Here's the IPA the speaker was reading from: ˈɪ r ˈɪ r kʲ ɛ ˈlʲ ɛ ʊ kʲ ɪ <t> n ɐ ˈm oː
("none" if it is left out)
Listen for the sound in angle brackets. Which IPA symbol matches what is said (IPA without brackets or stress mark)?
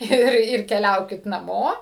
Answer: t